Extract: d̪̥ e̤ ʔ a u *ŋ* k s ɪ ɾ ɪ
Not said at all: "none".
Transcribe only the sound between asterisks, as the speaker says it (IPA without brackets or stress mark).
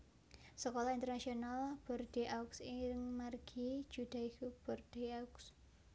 none